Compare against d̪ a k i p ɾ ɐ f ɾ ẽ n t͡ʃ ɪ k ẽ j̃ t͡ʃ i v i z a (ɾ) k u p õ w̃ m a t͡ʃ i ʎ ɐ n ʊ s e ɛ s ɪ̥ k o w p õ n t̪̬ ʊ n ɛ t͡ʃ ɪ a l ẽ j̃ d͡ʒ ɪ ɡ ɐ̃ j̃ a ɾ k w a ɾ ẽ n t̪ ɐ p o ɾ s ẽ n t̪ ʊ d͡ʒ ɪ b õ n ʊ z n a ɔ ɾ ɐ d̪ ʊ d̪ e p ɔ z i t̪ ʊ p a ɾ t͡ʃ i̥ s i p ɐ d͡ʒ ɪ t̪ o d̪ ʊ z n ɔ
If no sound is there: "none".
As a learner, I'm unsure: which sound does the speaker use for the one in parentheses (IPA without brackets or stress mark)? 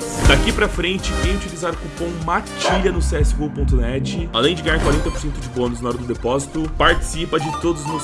ɾ